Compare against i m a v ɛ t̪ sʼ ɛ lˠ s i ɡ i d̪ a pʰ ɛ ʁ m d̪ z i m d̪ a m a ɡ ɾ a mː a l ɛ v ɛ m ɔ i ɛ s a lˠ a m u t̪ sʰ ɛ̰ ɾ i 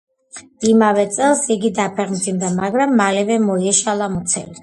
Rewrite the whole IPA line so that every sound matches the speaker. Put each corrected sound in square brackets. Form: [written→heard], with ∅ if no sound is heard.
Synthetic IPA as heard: i m a v ɛ t̪ sʼ ɛ lˠ s i ɡ i d̪ a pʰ ɛ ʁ m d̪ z i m d̪ a m a ɡ ɾ a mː a l ɛ v ɛ m ɔ i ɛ [s→ʃ] a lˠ a m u t̪ sʰ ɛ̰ [ɾ→l] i